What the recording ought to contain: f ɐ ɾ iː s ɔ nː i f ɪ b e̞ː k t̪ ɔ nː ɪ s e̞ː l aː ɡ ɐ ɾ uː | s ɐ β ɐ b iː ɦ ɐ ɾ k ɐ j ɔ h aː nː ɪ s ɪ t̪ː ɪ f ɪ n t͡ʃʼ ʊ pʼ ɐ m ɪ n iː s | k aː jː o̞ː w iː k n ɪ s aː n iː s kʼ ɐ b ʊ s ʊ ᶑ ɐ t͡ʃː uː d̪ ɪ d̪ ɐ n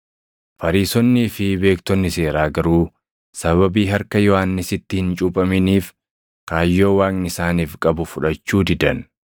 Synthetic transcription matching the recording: f ɐ ɾ iː s ɔ nː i f ɪ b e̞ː k t̪ ɔ nː ɪ s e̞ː ɾ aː ɡ ɐ ɾ uː | s ɐ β ɐ b iː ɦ ɐ ɾ k ɐ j ɔ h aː nː ɪ s ɪ t̪ː ɪ h ɪ n t͡ʃʼ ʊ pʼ ɐ m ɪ n iː f | k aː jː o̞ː w aː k n ɪ s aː n iː f kʼ ɐ b ʊ f ʊ ᶑ ɐ t͡ʃː uː d̪ ɪ d̪ ɐ n